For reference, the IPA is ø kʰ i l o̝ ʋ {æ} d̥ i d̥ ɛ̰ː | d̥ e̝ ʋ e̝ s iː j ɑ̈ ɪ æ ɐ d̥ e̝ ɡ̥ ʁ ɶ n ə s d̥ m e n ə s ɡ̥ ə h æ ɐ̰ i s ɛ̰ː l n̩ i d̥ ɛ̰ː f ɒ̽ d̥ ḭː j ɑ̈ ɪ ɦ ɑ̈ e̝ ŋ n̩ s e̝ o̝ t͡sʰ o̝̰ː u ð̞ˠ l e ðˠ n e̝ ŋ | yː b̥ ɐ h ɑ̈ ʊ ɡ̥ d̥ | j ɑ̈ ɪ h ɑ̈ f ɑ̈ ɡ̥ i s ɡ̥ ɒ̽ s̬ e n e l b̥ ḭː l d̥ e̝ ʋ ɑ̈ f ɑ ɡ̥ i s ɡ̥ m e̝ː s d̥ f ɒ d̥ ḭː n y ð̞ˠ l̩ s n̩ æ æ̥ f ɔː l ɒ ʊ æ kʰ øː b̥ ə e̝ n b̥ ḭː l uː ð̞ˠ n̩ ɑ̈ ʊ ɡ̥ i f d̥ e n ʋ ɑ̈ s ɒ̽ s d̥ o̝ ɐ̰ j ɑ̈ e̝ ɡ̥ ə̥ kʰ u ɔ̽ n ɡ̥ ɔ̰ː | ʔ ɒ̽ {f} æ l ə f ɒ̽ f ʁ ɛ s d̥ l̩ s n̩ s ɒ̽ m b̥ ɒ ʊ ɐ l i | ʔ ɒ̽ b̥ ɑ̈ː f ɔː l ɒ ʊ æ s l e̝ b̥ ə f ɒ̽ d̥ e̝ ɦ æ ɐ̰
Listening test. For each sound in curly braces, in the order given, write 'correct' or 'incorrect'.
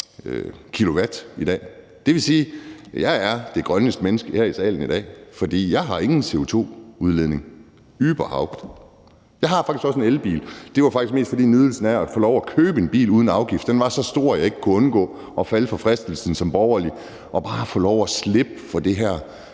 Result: correct, correct

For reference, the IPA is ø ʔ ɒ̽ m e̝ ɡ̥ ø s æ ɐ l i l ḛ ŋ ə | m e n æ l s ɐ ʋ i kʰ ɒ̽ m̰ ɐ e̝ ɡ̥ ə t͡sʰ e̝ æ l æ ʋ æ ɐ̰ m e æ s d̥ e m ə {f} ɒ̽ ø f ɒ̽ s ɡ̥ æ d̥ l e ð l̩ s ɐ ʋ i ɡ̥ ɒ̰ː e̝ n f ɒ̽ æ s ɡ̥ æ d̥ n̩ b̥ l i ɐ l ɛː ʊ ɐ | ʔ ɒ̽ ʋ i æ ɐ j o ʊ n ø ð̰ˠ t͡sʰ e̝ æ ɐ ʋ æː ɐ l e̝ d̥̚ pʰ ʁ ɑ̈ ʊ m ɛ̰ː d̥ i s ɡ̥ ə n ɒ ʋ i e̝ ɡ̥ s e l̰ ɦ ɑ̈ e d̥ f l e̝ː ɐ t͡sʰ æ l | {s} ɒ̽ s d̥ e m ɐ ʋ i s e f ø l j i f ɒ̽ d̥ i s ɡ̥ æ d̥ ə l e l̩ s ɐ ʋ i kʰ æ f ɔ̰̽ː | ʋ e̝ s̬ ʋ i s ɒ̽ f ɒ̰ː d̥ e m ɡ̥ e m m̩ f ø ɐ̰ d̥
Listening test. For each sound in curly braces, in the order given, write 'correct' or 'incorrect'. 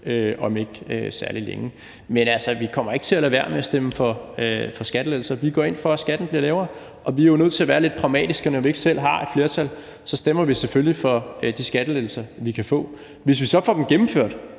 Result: correct, correct

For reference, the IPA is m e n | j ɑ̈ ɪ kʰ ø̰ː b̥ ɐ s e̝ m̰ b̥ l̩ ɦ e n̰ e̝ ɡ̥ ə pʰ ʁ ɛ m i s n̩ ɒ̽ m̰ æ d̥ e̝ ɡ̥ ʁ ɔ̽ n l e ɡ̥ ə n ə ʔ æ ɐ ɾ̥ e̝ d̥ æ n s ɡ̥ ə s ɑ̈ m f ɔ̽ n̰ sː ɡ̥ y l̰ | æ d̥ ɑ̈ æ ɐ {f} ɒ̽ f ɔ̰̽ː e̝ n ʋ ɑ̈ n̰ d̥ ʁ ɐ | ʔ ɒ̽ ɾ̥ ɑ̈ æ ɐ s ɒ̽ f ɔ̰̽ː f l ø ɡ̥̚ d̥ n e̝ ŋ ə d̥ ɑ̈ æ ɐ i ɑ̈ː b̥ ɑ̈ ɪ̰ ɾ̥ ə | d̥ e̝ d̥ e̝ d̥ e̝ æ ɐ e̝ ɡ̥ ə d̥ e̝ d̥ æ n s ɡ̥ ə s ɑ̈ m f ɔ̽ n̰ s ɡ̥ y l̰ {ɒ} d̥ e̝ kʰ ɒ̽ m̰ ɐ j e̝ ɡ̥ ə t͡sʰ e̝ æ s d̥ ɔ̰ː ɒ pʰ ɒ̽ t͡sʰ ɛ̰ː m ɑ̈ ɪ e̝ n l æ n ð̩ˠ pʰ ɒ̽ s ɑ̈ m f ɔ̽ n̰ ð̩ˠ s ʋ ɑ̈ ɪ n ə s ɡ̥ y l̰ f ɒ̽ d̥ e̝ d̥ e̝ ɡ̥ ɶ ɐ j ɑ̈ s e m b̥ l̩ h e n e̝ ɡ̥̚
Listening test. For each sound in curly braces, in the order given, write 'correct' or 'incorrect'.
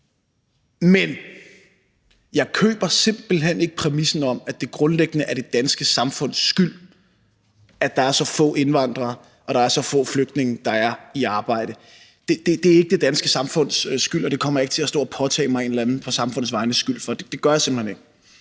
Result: incorrect: s, correct

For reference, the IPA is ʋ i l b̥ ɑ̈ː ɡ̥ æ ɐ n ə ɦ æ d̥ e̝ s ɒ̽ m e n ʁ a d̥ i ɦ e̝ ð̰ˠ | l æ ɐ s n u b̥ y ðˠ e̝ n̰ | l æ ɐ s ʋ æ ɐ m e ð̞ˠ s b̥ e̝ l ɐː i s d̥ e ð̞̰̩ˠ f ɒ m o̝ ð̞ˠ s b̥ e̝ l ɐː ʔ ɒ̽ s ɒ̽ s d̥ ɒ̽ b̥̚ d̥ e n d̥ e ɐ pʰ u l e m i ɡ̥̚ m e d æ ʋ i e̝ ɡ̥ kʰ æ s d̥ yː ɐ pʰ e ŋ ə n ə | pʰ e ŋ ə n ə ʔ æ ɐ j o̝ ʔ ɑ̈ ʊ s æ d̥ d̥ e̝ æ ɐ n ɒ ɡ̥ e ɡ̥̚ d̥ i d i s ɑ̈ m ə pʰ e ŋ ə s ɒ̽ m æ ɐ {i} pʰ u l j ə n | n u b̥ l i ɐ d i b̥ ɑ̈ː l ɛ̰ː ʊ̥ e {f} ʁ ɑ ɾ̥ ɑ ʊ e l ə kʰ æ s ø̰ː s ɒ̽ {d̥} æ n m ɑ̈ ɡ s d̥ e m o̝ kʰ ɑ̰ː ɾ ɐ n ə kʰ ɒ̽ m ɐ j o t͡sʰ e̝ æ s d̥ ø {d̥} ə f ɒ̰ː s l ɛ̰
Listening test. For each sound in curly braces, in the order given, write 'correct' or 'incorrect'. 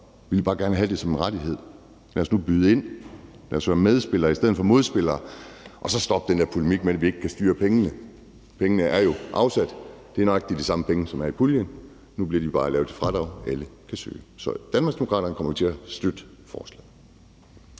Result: correct, correct, correct, correct

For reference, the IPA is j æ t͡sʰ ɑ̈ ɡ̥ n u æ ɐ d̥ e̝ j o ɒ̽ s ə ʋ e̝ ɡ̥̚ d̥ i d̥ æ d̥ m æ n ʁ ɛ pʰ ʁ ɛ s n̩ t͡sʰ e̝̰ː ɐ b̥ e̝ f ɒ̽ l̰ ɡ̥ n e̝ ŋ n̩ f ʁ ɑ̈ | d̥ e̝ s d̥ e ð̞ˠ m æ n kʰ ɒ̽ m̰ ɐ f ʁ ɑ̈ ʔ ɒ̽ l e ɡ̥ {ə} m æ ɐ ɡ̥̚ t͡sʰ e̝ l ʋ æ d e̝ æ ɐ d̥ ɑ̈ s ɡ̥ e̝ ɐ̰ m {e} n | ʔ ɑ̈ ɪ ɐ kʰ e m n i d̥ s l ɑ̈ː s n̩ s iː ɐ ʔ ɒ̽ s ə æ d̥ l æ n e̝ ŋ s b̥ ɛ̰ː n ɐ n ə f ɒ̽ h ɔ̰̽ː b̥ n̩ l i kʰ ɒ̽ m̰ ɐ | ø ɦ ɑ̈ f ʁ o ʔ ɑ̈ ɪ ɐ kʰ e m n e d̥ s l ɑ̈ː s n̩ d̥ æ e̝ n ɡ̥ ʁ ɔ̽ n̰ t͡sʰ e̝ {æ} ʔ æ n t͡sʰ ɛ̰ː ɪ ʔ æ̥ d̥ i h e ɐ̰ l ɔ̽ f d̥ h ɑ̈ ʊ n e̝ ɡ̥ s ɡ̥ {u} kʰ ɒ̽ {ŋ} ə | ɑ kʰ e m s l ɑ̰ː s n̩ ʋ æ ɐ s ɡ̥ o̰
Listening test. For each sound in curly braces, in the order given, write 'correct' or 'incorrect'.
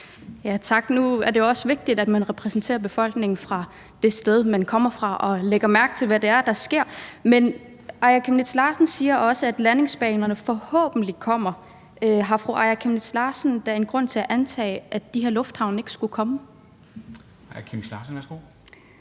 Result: incorrect: ɐ, correct, correct, correct, incorrect: m

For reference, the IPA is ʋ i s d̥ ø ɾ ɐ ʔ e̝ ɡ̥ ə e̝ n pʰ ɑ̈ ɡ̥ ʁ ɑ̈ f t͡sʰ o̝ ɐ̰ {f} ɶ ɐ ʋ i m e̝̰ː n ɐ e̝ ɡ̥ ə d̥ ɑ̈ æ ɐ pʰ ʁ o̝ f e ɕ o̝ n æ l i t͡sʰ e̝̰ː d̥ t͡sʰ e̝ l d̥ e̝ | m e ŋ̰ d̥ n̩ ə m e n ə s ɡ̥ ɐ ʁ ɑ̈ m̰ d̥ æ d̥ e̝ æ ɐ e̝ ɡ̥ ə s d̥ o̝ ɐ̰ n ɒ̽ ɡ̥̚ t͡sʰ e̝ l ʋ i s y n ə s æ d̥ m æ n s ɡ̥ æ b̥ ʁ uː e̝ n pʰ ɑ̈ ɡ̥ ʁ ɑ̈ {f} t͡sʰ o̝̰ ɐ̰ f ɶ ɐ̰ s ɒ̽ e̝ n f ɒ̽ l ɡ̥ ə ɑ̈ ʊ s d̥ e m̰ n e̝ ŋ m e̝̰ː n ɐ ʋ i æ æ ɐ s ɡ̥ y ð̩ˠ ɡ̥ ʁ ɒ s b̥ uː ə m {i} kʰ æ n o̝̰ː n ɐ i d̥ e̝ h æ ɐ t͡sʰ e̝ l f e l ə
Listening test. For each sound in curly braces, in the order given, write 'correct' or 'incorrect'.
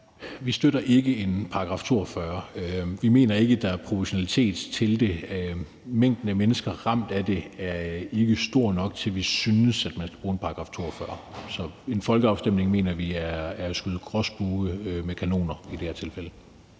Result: correct, correct, incorrect: e

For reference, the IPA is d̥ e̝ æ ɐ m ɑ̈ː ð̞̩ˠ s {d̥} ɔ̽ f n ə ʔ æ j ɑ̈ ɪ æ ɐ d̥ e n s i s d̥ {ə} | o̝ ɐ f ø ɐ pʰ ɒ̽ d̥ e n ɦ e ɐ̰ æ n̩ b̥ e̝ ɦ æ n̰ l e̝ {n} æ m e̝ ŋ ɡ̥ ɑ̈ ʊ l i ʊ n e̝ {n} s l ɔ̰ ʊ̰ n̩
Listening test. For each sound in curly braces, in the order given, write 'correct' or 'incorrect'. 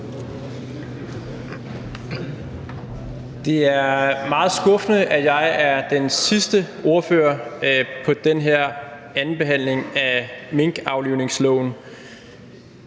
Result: incorrect: ɡ̥, correct, incorrect: ŋ, incorrect: ŋ

